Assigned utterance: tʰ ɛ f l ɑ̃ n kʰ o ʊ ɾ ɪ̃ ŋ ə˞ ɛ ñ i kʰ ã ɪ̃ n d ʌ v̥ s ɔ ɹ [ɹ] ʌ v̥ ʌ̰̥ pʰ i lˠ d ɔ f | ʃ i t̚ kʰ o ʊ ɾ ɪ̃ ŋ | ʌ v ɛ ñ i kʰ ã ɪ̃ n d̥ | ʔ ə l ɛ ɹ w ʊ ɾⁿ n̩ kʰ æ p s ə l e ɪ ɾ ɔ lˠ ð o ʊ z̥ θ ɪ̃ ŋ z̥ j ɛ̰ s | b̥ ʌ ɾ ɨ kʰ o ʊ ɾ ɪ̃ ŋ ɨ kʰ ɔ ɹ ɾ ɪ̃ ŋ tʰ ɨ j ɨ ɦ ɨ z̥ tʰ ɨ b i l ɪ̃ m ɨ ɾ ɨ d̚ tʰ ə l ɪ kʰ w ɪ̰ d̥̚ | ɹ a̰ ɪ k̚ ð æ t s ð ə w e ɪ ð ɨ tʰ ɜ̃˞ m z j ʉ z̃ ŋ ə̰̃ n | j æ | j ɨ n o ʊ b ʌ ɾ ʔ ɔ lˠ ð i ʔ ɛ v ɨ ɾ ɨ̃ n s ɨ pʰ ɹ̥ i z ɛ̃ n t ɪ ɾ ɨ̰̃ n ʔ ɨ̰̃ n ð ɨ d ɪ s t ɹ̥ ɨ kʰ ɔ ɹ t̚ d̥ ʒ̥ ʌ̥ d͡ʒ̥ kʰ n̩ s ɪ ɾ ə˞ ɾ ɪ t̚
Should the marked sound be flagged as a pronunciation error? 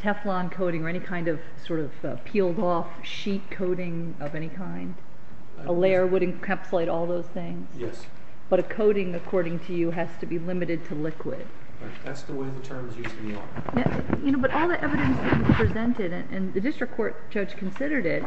yes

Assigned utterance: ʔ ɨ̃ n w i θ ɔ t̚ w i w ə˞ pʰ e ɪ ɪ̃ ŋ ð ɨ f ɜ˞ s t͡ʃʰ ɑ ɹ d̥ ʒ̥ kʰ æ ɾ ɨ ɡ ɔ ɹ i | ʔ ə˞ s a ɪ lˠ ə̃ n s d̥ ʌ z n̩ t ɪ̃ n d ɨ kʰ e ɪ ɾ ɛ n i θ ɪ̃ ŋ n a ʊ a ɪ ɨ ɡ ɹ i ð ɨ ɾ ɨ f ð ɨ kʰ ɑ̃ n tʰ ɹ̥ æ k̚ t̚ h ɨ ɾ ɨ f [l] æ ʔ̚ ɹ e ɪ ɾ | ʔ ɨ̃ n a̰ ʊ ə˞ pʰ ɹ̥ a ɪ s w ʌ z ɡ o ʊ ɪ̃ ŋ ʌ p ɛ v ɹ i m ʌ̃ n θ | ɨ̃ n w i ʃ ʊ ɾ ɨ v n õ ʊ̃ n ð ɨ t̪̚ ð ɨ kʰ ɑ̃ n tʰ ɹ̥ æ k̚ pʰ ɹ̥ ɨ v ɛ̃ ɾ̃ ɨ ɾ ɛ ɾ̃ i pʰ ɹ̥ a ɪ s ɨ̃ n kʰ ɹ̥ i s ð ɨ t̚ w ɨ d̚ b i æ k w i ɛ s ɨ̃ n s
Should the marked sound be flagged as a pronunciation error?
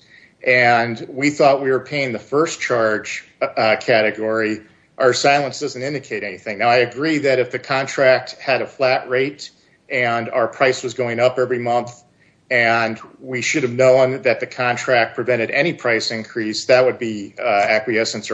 no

